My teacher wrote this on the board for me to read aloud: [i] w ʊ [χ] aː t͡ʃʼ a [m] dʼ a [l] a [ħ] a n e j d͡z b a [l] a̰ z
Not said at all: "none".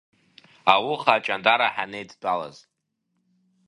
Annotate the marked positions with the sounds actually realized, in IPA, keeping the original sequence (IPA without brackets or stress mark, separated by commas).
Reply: a, χ, n, ɾ, ħ, l